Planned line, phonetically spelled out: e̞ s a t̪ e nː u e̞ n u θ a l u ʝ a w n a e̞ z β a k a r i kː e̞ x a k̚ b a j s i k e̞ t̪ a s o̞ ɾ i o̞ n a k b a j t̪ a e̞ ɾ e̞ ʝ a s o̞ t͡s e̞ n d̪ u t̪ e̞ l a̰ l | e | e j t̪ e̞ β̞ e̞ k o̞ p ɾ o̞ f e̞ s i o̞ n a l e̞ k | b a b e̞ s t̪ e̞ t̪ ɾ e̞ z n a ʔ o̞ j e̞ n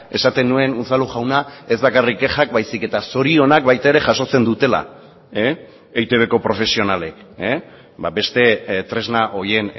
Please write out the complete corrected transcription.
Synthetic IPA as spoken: e̞ s a t̪ e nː u e̞ n u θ a l u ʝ a w n a e̞ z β a k a r i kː e̞ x a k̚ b a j s i k e̞ t̪ a s o̞ ɾ i o̞ n a k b a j t̪ a e̞ ɾ e̞ ʝ a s o̞ t͡s e̞ n d̪ u t̪ e̞ l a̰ | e | e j t̪ e̞ β̞ e̞ k o̞ p ɾ o̞ f e̞ s i o̞ n a l e̞ k | b a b e̞ s t̪ e̞ t̪ ɾ e̞ z n a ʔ o̞ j e̞ n

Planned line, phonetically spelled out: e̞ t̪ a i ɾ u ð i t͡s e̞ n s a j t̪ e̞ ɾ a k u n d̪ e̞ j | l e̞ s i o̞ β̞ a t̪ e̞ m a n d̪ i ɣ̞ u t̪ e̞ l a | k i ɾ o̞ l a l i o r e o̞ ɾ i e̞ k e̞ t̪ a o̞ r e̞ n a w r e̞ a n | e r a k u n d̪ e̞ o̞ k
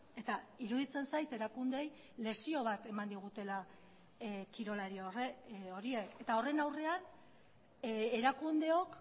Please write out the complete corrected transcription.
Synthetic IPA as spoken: e̞ t̪ a i ɾ u ð i t͡s e̞ n s a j t̪ e̞ ɾ a k u n d̪ e̞ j | l e̞ s i o̞ β̞ a t̪ e̞ m a n d̪ i ɣ̞ u t̪ e̞ l a | k i ɾ o̞ l a ɾ i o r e o̞ ɾ i e̞ k e̞ t̪ a o̞ r e̞ n a w r e̞ a n | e ɾ a k u n d̪ e̞ o̞ k

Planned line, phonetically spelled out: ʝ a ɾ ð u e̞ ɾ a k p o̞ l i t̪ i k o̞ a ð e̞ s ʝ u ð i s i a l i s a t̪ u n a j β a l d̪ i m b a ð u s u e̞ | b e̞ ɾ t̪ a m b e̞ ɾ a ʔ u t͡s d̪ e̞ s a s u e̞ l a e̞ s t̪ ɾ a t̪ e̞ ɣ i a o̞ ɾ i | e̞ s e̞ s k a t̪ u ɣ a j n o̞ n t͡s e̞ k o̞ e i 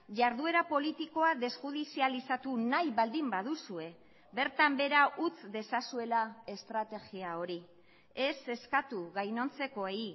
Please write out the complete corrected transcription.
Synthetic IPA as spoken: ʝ a ɾ ð u e̞ ɾ a p o̞ l i t̪ i k o̞ a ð e̞ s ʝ u ð i s i a l i s a t̪ u n a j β a l d̪ i m b a ð u s u e̞ | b e̞ ɾ t̪ a m b e̞ ɾ a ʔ u t͡s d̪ e̞ s a s u e̞ l a e̞ s t̪ ɾ a t̪ e̞ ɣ i a o̞ ɾ i | e̞ s e̞ s k a t̪ u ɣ a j n o̞ n t͡s e̞ k o̞ e i

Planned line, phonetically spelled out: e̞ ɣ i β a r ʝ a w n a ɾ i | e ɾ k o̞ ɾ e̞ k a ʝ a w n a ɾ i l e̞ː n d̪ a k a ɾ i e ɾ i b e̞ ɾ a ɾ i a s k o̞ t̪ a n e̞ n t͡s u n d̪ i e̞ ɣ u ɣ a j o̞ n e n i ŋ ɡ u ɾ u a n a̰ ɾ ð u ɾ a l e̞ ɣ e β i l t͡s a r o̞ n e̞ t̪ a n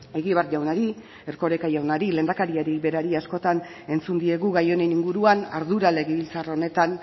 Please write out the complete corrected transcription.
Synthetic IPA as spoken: e̞ ɣ i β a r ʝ a w n a ɾ i | e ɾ k o̞ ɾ e̞ k a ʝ a w n a ɾ i l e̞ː n d̪ a k a ɾ i a ɾ i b e̞ ɾ a ɾ i a s k o̞ t̪ a n e̞ n t͡s u n d̪ i e̞ ɣ u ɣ a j o̞ n e n i ŋ ɡ u ɾ u a n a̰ ɾ ð u ɾ a l e̞ ɣ e β i l t͡s a r o̞ n e̞ t̪ a n

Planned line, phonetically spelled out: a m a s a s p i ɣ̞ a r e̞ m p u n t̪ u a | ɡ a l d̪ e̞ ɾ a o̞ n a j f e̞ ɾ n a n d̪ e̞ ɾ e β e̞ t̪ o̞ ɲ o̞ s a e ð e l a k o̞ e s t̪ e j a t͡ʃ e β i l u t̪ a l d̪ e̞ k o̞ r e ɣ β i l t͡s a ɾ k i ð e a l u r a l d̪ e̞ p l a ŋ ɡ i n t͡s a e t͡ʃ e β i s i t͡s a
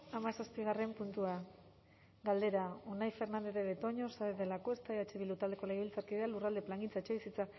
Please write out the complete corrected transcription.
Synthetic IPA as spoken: a m a s a s p i ɣ̞ a r e̞ m p u n t̪ u a | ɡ a l d̪ e̞ ɾ a o̞ n a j f e̞ ɾ n a n d̪ e̞ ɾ e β e̞ t̪ o̞ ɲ o̞ s a e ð e l a k o̞ e s t̪ a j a t͡ʃ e β i l u t̪ a l d̪ e̞ k o̞ l e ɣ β i l t͡s a ɾ k i ð e a l u r a l d̪ e̞ p l a ŋ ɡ i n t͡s a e t͡ʃ e β i s i t͡s a

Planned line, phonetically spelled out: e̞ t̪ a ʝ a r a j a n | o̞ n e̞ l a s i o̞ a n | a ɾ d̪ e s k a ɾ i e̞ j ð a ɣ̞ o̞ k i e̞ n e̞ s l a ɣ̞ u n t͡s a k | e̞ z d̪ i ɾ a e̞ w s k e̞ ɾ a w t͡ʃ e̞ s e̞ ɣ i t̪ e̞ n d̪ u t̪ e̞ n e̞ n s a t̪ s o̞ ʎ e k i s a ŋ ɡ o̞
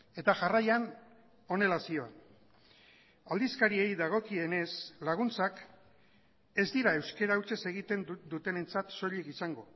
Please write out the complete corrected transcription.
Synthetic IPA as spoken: e̞ t̪ a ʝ a r a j a n | o̞ n e̞ l a s i o̞ a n | a l d̪ i s k a ɾ i e̞ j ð a ɣ̞ o̞ k i e̞ n e̞ s l a ɣ̞ u n t͡s a k | e̞ z d̪ i ɾ a e̞ w s k e̞ ɾ a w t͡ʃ e̞ s e̞ ɣ i t̪ e̞ n d̪ u t̪ e̞ n e̞ n t͡s a t̪ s o̞ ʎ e k i s a ŋ ɡ o̞

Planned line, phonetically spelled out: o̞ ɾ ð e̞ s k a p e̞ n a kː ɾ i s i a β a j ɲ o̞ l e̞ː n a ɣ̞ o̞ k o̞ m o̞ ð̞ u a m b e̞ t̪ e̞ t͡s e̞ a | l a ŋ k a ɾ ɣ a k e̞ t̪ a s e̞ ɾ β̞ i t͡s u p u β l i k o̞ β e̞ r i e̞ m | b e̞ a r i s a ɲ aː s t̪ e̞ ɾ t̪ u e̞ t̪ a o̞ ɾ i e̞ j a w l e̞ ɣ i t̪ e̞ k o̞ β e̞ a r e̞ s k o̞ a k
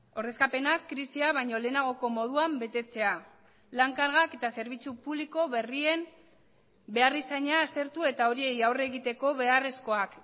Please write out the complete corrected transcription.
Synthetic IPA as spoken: o̞ ɾ ð e̞ s k a p e̞ n a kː ɾ i s i a β a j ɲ o̞ l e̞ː n a ɣ̞ o̞ k o̞ m o̞ ð̞ u a m b e̞ t̪ e̞ t͡s e̞ a | l a ŋ k a ɾ ɣ a k e̞ t̪ a s e̞ ɾ β̞ i t͡s u p u β l i k o̞ β e̞ r i e̞ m | b e̞ a r i s a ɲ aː s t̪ e̞ ɾ t̪ u e̞ t̪ a o̞ ɾ i e̞ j a w r e̞ ɣ i t̪ e̞ k o̞ β e̞ a r e̞ s k o̞ a k

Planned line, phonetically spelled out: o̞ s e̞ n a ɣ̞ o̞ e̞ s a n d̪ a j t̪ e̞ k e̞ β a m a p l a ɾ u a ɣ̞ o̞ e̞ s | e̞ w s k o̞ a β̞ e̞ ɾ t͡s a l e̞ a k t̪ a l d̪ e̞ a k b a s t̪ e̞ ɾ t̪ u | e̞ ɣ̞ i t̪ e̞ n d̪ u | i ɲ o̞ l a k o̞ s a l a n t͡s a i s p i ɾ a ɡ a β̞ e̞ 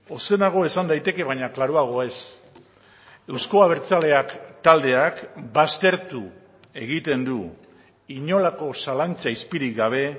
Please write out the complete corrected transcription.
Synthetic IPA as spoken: o̞ s e̞ n a ɣ̞ o̞ e̞ s a n d̪ a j t̪ e̞ k e̞ β a ɲ a k l a ɾ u a ɣ̞ o̞ e̞ s | e̞ w s k o̞ a β̞ e̞ ɾ t͡s a l e̞ a k t̪ a l d̪ e̞ a k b a s t̪ e̞ ɾ t̪ u | e̞ ɣ̞ i t̪ e̞ n d̪ u | i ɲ o̞ l a k o̞ s a l a n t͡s a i s p i ɾ i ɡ a β̞ e̞

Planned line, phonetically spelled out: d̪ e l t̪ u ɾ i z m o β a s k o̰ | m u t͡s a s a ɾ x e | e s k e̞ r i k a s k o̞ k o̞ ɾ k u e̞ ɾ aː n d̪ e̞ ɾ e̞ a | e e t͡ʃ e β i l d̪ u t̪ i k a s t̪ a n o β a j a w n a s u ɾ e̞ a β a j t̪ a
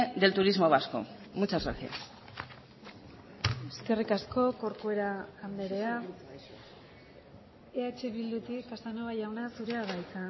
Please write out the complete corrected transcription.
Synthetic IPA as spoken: d̪ e l t̪ u ɾ i z m o β a s k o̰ | m u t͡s a s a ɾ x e | e s k e̞ r i k a s k o̞ k o̞ ɾ k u e̞ ɾ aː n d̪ e̞ ɾ e̞ a | e a t͡ʃ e β i l d̪ u t̪ i k a s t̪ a n o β a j a w n a s u ɾ e̞ a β a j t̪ a

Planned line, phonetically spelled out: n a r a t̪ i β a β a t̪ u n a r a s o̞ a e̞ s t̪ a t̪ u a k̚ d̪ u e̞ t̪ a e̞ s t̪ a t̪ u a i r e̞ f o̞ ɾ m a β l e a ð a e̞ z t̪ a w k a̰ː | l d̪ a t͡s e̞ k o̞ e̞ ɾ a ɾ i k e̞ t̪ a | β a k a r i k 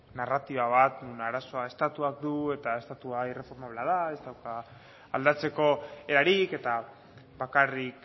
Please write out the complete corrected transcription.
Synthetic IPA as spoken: n a r a t̪ i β a β a t̪ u n a ɾ a s o̞ a e̞ s t̪ a t̪ u a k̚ d̪ u e̞ t̪ a e̞ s t̪ a t̪ u a i r e̞ f o̞ ɾ m a β l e a ð a e̞ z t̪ a w k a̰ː | l d̪ a t͡s e̞ k o̞ e̞ ɾ a ɾ i k e̞ t̪ a | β a k a r i k

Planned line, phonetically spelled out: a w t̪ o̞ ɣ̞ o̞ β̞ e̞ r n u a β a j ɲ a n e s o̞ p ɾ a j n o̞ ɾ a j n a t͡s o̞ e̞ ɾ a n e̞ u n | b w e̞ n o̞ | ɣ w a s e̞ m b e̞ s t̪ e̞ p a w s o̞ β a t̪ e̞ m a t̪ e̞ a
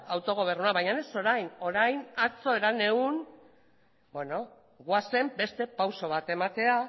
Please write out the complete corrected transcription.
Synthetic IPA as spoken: a w t̪ o̞ ɣ̞ o̞ β̞ e̞ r n u a β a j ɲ a n e s o̞ ɾ a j n o̞ ɾ a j n a t͡s o̞ e̞ ɾ a n e̞ u n | b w e̞ n o̞ | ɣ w a s e̞ m b e̞ s t̪ e̞ p a w s o̞ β a t̪ e̞ m a t̪ e̞ a

